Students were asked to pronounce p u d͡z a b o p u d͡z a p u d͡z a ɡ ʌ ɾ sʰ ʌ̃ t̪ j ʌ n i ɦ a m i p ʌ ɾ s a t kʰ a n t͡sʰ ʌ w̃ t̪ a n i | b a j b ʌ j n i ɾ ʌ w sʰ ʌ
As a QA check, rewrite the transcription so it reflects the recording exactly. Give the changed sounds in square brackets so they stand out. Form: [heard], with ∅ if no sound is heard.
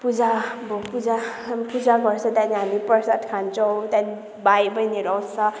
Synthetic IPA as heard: p u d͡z a b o p u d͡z a p u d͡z a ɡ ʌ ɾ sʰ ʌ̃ t̪ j [a] n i ɦ a m i p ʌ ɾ s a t kʰ a n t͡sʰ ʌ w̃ t̪ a n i | b a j b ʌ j n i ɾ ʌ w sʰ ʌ